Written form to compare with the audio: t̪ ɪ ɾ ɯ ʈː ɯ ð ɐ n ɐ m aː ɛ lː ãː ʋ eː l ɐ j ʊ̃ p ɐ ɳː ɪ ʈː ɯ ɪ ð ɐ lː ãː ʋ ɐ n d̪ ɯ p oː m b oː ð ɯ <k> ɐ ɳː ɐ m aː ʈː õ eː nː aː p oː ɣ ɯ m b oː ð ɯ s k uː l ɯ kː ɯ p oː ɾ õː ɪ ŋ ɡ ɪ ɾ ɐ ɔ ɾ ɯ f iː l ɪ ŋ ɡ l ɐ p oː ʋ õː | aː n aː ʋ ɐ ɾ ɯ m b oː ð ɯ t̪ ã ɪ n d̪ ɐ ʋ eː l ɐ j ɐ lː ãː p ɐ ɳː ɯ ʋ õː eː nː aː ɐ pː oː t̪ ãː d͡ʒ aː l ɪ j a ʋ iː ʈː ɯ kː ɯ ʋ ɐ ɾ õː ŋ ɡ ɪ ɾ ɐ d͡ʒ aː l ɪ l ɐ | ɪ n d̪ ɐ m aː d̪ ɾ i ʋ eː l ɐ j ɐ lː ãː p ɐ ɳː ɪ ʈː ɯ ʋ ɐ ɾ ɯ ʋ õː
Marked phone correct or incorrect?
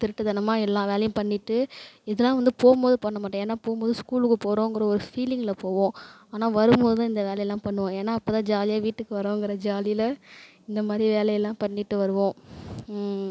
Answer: incorrect